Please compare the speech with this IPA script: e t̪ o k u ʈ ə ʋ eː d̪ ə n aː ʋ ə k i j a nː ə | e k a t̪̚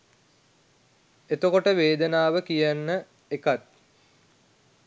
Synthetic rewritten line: e t̪ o k o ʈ ə ʋ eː d̪ ə n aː ʋ ə k i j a nː ə | e k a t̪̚

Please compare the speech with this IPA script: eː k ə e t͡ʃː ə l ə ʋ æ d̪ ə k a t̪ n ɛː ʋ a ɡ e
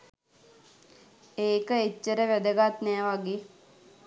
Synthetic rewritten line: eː k ə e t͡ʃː ə ɾ ə ʋ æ d̪ ə ɡ a t̪ n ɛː ʋ a ɡ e

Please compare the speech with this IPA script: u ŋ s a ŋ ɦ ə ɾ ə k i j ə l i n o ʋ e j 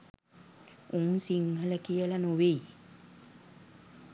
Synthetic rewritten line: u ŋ s i ŋ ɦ ə l ə k i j ə l a n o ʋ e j

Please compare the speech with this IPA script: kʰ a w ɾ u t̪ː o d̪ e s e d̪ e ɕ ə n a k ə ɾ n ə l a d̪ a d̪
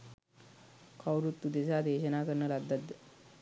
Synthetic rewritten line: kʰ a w ɾ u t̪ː u d̪ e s a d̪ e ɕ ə n a k ə ɾ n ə l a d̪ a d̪

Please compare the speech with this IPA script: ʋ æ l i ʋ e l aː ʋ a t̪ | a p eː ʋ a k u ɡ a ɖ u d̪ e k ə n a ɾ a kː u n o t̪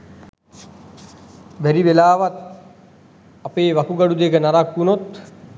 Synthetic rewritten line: ʋ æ ɾ i ʋ e l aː ʋ a t̪ | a p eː ʋ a k u ɡ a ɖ u d̪ e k ə n a ɾ a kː u n o t̪

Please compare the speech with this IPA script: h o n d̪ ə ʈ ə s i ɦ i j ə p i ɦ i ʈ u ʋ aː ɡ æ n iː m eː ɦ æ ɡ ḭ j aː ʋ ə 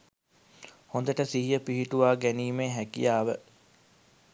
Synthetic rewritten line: h o n d̪ ə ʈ ə s i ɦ i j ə p i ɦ i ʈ u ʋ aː ɡ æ n iː m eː ɦ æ k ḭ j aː ʋ ə

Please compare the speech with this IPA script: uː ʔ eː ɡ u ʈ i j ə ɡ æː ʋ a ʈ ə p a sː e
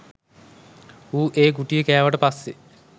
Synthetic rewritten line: uː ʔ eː ɡ u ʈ i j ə k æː ʋ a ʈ ə p a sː e

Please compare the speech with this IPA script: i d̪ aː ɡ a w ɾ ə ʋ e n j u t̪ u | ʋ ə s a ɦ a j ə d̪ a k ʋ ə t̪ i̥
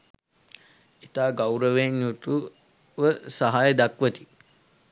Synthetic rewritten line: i t̪ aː ɡ a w ɾ ə ʋ e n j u t̪ u | ʋ ə s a ɦ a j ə d̪ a k ʋ ə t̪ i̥

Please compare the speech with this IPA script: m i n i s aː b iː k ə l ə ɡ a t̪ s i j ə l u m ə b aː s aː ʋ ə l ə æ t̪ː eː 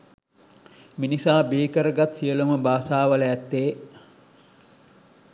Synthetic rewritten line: m i n i s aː b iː k ə ɾ ə ɡ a t̪ s i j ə l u m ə b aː s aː ʋ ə l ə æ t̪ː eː

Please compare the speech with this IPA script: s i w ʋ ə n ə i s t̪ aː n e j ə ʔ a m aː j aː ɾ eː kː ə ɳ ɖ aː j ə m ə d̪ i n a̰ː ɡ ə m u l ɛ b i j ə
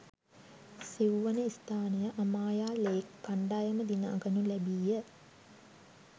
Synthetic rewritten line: s i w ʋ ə n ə i s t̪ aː n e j ə ʔ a m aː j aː l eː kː a ɳ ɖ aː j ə m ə d̪ i n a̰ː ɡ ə n u l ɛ b i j ə

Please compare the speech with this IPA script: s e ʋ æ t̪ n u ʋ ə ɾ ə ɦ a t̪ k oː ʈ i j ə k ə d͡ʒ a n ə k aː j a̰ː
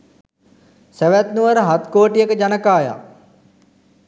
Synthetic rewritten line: s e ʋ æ t̪ n u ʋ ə ɾ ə ɦ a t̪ k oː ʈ i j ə k ə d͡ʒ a n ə k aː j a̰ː

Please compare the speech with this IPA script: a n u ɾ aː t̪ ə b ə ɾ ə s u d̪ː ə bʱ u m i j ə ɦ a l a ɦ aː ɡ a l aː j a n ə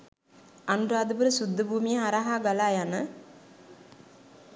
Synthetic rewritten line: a n u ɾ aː d̪ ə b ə ɾ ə s u d̪ː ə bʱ uː m i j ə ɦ a ɾ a ɦ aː ɡ a l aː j a n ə

